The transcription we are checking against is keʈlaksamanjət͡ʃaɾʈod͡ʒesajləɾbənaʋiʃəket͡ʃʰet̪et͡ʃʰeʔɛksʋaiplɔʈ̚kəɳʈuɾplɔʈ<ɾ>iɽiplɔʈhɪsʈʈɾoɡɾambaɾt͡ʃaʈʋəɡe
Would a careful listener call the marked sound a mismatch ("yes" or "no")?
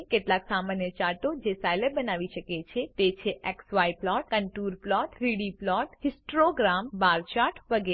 no